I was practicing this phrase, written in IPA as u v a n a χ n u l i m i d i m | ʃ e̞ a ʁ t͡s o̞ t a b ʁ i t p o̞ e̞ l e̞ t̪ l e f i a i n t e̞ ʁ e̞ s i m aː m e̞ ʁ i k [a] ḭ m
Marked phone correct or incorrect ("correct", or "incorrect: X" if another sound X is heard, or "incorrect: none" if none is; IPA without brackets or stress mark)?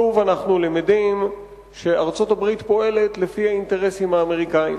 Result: correct